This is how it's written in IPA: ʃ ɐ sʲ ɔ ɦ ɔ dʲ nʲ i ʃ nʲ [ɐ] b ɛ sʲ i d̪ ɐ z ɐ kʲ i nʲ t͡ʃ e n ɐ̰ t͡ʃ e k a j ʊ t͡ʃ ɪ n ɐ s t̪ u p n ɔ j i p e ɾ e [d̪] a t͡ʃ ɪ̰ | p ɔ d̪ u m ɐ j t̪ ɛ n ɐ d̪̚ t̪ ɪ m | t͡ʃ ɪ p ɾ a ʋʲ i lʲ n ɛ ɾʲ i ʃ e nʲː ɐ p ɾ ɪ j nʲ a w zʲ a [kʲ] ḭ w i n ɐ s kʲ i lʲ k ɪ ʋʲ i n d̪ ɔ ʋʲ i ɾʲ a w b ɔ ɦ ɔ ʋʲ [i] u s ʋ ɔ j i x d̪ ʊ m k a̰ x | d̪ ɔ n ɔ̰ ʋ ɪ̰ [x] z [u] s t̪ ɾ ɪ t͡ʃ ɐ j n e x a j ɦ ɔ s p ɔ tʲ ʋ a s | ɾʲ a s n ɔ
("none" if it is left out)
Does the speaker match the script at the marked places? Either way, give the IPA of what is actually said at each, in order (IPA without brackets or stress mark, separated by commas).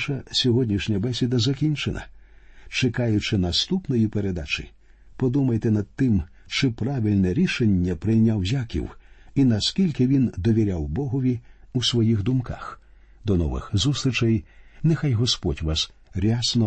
ɐ, d̪, kʲ, i, x, u